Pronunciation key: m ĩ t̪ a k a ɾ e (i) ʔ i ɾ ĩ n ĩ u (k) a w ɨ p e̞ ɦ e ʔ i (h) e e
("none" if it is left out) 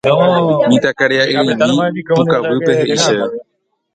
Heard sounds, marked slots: a, k, ʃ

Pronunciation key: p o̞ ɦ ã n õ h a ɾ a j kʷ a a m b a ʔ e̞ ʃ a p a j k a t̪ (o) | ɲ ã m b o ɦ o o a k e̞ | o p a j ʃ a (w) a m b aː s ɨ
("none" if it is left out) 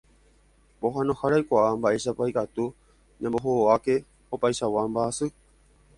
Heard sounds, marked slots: u, w

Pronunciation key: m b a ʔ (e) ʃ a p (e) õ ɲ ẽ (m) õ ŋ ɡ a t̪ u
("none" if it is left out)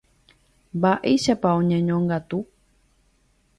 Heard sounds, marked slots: e, a, ɲ

